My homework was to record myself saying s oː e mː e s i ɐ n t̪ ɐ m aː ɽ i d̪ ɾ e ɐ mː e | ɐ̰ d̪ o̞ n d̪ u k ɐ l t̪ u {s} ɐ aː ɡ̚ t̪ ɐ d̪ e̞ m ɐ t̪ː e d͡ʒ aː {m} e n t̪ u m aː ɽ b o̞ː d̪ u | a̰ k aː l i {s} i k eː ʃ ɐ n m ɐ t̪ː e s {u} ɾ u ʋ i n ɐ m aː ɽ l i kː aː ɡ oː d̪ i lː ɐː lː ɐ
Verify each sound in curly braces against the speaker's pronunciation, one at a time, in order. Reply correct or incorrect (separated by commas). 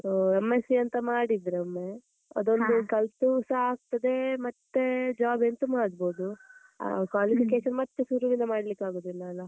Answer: correct, incorrect, incorrect, correct